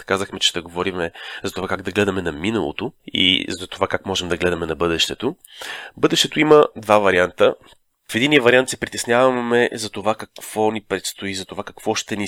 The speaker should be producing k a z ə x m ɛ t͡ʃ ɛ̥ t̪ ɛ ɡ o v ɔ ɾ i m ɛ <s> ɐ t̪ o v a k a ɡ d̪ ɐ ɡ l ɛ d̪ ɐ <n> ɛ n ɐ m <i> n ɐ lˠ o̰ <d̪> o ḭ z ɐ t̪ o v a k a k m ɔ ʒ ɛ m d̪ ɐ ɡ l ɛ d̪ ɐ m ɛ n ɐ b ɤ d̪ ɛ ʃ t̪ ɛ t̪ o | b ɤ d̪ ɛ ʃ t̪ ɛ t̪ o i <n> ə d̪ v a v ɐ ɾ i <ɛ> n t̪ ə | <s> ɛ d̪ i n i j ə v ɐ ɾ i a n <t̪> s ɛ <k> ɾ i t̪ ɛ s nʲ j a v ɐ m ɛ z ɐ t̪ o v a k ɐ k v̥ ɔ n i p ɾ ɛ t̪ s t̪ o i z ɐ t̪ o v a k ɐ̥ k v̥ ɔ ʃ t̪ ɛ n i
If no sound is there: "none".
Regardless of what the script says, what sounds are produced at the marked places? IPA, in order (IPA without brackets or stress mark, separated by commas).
z, m, i, t̪, m, a, f, t̪, p